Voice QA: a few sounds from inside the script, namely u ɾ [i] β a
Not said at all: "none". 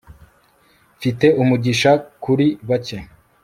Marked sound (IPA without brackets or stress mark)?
i